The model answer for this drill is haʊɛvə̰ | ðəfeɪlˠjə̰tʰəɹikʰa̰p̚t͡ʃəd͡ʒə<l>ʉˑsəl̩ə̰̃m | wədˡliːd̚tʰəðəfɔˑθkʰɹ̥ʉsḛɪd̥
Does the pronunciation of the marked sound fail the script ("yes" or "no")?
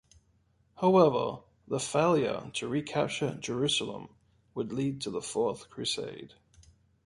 yes